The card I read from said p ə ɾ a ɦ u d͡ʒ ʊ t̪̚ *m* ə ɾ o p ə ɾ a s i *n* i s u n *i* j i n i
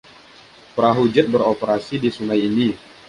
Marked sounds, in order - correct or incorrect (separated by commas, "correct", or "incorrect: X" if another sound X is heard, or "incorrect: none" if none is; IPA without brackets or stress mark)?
incorrect: b, incorrect: d, incorrect: a